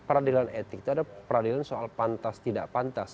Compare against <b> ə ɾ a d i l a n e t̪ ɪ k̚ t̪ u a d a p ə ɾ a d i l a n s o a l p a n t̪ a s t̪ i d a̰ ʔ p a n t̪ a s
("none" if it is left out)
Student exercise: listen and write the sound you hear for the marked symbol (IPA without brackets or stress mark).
p